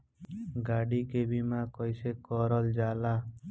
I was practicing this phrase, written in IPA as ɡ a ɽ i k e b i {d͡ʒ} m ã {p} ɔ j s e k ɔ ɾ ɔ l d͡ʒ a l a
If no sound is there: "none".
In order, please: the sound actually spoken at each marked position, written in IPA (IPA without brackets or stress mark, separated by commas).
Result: none, k